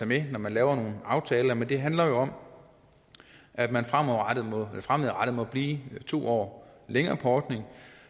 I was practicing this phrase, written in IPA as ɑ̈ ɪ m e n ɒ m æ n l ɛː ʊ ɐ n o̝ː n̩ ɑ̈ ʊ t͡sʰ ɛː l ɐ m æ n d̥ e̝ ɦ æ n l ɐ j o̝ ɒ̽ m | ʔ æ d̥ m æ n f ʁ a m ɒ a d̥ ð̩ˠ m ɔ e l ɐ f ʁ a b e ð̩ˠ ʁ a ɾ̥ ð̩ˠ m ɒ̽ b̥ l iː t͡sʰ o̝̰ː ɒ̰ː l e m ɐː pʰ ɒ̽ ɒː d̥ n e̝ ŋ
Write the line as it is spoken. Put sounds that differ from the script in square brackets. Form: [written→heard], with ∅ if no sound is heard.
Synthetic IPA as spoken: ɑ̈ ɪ m e n ɒ m æ n l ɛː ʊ ɐ n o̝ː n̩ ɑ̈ ʊ t͡sʰ ɛː l ɐ m [æ→e] n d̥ e̝ ɦ æ n l ɐ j o̝ ɒ̽ m | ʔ æ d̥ m æ n f ʁ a m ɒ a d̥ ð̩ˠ m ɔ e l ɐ f ʁ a [b→m] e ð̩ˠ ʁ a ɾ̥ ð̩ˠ m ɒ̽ b̥ l iː t͡sʰ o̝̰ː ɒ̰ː l e [m→ŋ] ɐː pʰ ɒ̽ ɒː d̥ n e̝ ŋ